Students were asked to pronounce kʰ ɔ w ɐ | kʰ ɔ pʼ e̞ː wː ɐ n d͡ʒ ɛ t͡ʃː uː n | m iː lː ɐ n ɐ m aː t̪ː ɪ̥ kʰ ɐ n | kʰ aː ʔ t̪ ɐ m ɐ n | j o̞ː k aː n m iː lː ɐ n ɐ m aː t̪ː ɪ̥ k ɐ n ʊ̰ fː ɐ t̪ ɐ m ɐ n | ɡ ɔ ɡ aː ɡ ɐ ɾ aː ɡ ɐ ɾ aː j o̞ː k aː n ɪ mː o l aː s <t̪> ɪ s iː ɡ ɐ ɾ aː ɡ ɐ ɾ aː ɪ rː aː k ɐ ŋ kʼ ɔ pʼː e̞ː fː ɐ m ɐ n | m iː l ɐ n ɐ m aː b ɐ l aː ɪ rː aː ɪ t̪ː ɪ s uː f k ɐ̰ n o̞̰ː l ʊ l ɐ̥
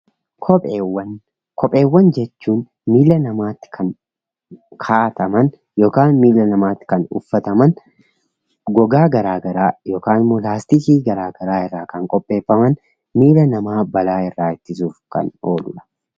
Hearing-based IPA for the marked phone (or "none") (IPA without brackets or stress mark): t̪